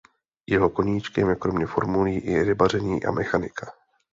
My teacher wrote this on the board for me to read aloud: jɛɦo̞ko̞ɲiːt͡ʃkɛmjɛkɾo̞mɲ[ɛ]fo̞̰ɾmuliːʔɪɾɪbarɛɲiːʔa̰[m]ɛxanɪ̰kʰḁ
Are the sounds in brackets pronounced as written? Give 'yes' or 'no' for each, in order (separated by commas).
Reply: yes, yes